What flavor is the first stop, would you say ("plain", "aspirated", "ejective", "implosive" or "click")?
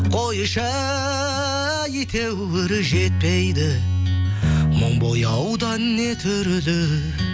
aspirated